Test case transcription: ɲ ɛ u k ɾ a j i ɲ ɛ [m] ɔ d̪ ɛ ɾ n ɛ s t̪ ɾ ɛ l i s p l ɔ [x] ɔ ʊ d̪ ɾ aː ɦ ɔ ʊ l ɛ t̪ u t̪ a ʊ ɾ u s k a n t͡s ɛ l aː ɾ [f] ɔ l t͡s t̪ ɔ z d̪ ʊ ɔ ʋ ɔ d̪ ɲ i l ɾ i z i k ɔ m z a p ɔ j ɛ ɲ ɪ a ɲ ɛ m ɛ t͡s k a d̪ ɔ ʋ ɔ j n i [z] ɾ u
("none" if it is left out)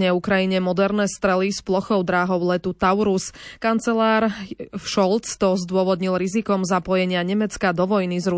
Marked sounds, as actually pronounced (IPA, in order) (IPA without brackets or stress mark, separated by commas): m, x, ʃ, z